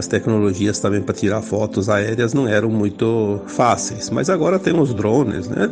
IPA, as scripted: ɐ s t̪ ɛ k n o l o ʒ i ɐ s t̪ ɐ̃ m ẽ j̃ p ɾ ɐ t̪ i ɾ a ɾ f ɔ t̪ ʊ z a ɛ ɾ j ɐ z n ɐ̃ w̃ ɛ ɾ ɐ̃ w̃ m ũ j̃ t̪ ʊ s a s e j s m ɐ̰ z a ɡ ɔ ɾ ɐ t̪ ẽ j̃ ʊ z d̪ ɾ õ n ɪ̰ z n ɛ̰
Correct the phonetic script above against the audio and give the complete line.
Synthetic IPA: ɐ s t̪ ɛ k n o l o ʒ i ɐ s t̪ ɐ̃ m ẽ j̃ p ɾ ɐ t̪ i ɾ a ɾ f ɔ t̪ ʊ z a ɛ ɾ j ɐ z n ɐ̃ w̃ ɛ ɾ ɐ̃ w̃ m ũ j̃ t̪ ʊ f a s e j s m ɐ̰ z a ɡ ɔ ɾ ɐ t̪ ẽ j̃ ʊ z d̪ ɾ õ n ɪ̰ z n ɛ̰